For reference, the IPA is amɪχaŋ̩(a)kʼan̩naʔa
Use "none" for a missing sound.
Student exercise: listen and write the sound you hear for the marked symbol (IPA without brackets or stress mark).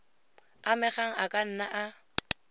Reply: a